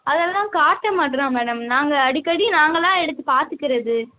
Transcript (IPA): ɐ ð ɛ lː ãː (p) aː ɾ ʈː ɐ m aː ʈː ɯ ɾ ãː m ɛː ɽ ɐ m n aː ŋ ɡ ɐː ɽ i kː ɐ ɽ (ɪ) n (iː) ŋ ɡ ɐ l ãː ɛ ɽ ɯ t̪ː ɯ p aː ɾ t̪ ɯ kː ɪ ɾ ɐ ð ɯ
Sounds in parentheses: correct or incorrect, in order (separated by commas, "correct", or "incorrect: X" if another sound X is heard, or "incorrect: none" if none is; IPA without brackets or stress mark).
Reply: incorrect: k, incorrect: i, incorrect: aː